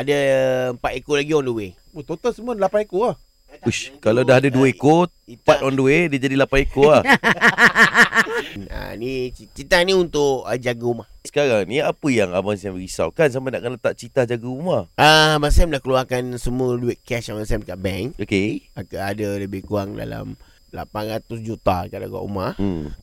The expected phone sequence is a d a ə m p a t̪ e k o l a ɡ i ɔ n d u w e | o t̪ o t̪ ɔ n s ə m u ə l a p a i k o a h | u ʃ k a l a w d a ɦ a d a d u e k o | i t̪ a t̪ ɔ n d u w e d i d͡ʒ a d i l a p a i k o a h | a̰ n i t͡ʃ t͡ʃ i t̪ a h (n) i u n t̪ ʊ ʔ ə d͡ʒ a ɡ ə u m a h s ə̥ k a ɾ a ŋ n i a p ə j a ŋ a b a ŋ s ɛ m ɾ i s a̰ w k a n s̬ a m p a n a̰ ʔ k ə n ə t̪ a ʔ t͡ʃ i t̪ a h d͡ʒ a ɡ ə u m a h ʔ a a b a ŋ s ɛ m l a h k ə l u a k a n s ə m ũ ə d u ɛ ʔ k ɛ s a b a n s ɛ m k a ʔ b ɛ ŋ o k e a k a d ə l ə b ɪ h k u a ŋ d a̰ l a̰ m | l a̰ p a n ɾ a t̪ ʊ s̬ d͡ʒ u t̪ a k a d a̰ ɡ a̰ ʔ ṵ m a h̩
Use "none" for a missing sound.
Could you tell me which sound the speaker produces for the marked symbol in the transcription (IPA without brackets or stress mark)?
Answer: n